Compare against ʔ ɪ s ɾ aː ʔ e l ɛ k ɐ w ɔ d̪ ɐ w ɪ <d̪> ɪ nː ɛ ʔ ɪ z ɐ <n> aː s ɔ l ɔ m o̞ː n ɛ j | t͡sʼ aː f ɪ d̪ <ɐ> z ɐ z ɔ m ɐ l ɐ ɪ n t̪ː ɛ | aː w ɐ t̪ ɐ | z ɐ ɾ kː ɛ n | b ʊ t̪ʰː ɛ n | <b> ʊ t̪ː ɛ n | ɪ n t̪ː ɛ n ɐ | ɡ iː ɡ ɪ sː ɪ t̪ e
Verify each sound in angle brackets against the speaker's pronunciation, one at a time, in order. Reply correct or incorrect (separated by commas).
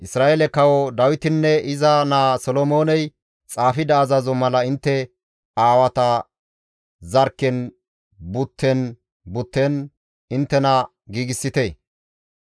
incorrect, correct, incorrect, correct